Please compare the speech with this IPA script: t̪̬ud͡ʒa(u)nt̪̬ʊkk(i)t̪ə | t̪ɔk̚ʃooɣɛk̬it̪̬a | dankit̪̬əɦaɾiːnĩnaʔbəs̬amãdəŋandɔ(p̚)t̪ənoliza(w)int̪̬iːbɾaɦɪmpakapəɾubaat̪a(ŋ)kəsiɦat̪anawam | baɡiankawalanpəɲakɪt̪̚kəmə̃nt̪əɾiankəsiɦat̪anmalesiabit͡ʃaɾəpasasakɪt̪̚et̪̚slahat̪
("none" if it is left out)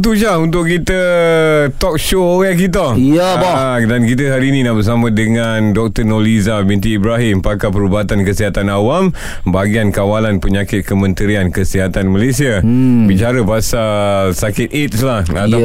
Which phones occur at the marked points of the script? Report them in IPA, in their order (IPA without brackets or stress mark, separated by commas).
u, i, k̚, b, n